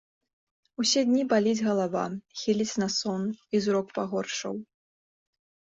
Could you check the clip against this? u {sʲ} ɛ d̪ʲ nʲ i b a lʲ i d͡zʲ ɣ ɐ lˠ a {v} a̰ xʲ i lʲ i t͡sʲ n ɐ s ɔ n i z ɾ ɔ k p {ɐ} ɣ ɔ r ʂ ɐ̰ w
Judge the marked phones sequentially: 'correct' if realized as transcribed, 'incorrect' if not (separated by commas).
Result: correct, correct, incorrect